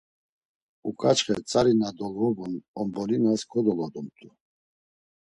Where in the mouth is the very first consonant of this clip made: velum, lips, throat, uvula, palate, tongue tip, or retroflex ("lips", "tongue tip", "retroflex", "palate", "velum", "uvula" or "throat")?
velum